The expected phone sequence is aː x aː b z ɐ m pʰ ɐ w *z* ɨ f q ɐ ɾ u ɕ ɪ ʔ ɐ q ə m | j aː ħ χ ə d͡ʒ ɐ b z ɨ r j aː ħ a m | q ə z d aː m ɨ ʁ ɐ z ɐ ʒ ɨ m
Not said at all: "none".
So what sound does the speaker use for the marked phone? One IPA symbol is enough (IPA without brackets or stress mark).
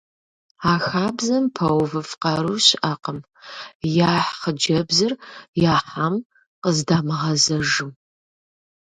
v